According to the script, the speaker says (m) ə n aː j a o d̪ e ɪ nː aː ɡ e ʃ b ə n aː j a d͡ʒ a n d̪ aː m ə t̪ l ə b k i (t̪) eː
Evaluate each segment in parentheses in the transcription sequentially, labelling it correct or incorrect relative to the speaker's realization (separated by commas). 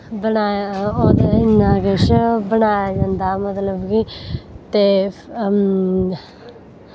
incorrect, correct